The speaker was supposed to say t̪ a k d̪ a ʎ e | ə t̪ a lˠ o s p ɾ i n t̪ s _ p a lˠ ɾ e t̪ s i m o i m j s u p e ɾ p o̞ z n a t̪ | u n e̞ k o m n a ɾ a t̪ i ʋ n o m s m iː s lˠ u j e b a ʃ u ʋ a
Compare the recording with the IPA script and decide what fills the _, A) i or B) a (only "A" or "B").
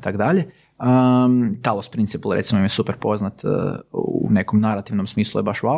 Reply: A